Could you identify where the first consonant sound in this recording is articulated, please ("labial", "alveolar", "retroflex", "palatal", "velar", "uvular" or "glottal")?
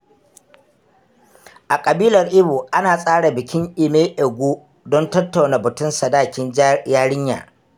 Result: glottal